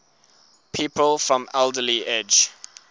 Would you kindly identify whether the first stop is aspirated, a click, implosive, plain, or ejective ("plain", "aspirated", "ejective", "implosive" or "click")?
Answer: aspirated